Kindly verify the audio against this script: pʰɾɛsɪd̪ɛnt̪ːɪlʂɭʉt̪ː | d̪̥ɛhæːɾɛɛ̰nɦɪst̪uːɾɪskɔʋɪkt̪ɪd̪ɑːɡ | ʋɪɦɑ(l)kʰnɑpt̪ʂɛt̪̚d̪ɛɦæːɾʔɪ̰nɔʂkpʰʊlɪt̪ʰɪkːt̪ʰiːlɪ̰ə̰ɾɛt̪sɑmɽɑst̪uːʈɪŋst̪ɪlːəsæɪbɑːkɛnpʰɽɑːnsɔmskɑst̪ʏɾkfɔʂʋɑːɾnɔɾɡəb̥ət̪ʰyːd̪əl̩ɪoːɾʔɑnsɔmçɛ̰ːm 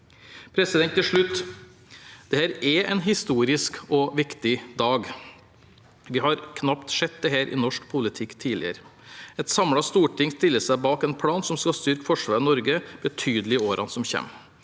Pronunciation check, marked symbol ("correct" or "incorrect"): incorrect